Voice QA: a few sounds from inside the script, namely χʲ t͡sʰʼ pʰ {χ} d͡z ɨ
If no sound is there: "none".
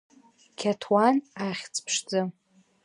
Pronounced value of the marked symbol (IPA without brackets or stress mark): ʂ